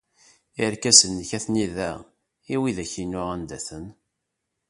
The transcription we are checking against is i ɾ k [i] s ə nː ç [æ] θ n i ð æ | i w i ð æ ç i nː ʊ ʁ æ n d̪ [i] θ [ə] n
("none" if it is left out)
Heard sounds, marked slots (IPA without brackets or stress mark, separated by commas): æ, æ, æ, ə